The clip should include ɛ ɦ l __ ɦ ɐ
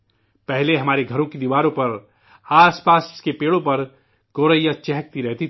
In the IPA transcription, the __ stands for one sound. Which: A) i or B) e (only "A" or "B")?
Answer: B